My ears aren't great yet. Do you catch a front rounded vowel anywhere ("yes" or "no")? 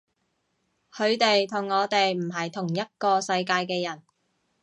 no